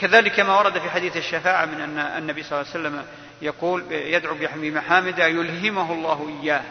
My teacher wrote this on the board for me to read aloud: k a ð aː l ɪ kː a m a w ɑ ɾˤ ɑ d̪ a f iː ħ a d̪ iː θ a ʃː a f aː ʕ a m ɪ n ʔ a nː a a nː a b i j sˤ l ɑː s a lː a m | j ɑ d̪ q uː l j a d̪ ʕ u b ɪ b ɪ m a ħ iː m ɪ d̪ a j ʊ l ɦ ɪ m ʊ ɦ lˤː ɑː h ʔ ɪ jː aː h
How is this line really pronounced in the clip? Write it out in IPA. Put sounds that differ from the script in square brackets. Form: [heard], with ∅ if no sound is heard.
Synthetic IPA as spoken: k a ð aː l ɪ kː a m a w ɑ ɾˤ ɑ d̪ a f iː ħ a d̪ iː θ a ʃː a f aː ʕ a m ɪ n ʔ a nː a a nː a b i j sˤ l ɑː s a lː a m | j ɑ [∅] q uː l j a d̪ ʕ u b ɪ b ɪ m a ħ [aː] m ɪ d̪ a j ʊ l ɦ ɪ m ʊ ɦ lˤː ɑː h ʔ ɪ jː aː h